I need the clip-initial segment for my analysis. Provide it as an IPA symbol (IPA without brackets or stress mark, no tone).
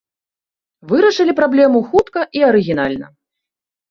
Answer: v